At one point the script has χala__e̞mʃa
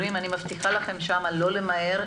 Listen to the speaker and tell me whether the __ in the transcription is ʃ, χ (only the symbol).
χ